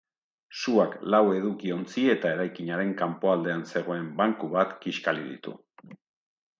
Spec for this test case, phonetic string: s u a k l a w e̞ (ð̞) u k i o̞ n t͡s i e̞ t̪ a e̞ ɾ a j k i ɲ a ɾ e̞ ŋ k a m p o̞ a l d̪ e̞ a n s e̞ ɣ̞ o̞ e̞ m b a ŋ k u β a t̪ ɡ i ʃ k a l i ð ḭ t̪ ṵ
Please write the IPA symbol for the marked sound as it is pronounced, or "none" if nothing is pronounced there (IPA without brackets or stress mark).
ð̞